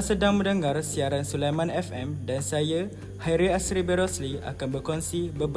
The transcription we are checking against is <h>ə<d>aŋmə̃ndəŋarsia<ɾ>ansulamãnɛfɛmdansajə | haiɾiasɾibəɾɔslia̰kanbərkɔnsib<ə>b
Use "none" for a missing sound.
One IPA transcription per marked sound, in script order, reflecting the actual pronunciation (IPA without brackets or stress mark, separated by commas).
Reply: s, d, ɾ, ə